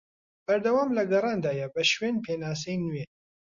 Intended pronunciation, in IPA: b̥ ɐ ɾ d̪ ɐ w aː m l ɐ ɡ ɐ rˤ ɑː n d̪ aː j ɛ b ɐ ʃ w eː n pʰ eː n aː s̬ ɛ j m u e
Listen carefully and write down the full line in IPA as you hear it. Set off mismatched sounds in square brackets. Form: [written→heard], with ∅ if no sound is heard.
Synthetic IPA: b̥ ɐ ɾ d̪ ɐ w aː m l ɐ ɡ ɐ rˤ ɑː n d̪ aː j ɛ b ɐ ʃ w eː n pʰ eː n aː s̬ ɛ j [m→n] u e